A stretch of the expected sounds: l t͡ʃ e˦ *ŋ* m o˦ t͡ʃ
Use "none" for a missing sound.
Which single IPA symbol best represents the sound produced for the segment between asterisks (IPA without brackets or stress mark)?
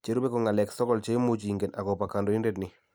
none